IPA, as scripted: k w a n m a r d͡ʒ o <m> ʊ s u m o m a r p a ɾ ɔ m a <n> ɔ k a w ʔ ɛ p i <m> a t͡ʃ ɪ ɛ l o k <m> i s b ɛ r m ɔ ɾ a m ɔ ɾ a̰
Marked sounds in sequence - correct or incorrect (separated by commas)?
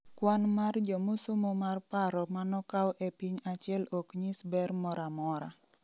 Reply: correct, correct, incorrect, incorrect